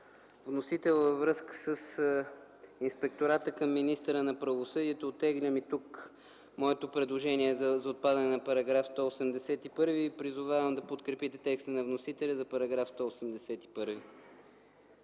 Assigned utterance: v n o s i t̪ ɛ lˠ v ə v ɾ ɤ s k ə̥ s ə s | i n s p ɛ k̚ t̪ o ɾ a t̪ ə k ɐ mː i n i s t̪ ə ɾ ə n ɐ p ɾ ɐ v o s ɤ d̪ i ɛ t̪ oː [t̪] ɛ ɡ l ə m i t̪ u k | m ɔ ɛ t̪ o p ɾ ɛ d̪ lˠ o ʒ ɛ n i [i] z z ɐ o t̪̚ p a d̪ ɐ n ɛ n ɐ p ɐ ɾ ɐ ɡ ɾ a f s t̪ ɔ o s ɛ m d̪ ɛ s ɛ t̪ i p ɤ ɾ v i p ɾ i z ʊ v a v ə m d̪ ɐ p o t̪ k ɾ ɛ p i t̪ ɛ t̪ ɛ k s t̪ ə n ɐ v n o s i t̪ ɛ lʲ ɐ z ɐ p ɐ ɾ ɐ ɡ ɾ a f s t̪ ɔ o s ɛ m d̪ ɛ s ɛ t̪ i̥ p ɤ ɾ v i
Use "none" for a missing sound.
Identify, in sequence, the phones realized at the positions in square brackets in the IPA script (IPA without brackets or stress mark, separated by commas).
t̪, ɛ